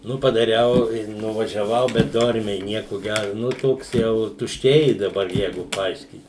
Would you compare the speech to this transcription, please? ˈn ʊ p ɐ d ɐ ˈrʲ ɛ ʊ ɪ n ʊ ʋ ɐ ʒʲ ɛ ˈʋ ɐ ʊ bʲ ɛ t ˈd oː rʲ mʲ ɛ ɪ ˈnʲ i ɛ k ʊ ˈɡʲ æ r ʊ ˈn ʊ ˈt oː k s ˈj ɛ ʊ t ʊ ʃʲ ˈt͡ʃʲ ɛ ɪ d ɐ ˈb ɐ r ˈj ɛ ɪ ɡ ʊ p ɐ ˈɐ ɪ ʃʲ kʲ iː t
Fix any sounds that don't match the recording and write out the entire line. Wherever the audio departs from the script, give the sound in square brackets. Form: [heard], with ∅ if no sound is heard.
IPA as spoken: ˈn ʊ p ɐ d ɐ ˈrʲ ɛ ʊ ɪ n ʊ ʋ ɐ ʒʲ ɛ ˈʋ ɐ ʊ bʲ ɛ t ˈd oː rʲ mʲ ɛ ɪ ˈnʲ i ɛ k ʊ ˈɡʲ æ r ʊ ˈn ʊ ˈt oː k s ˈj ɛ ʊ t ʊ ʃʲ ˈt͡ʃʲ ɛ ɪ d ɐ ˈb ɐ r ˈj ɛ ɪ ɡ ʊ p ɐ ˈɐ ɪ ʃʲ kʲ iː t